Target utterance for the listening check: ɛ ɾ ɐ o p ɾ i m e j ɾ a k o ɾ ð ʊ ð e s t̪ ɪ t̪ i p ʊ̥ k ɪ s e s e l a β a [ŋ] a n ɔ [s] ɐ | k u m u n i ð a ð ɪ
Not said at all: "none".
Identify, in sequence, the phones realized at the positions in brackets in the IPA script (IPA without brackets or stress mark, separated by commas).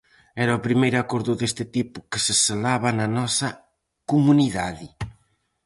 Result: n, s